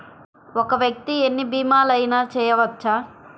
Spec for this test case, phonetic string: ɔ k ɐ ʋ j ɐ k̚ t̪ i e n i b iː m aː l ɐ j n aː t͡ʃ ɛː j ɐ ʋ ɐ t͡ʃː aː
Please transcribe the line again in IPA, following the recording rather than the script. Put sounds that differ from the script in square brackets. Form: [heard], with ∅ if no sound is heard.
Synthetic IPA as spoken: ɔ k ɐ ʋ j ɐ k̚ t̪ i e [nː] i b iː m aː l ɐ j n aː t͡ʃ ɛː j ɐ ʋ ɐ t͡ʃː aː